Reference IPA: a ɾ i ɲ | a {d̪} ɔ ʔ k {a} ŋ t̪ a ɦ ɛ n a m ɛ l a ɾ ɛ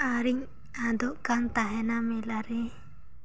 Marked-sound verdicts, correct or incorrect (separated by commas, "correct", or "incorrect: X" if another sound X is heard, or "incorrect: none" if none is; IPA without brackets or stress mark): correct, correct